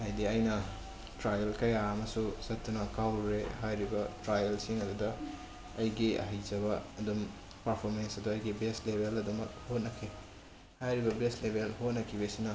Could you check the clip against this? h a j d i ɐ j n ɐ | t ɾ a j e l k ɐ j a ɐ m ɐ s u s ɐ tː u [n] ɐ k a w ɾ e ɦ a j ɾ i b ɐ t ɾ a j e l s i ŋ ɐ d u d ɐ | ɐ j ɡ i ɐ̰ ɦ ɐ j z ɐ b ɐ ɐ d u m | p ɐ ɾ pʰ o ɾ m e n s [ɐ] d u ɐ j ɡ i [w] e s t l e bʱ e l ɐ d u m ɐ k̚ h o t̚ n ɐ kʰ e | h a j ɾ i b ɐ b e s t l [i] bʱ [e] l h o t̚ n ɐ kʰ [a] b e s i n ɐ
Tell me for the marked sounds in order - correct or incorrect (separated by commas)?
correct, correct, incorrect, incorrect, correct, incorrect